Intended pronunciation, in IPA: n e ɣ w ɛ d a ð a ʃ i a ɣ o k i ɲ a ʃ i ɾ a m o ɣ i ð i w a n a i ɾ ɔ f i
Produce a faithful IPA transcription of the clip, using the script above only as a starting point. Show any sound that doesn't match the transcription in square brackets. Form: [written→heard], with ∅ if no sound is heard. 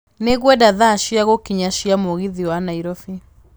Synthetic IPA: n e ɣ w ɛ d a ð a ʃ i a ɣ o k i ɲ a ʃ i [ɾ→∅] a m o ɣ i ð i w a n a i ɾ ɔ f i